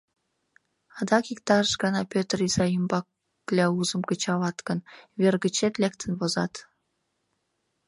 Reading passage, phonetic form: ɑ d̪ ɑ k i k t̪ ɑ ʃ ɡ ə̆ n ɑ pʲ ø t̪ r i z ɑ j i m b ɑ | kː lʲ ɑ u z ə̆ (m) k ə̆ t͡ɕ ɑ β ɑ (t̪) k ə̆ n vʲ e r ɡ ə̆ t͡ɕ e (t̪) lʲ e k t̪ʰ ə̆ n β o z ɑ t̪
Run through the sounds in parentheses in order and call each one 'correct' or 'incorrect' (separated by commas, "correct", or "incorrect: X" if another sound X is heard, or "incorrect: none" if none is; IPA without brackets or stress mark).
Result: correct, correct, correct